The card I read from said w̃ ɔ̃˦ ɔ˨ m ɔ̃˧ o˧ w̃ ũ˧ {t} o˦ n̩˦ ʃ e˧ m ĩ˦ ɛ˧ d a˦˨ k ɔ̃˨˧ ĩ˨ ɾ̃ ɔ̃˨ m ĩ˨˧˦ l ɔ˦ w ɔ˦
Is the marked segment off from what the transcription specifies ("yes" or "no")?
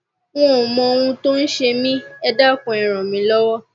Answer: no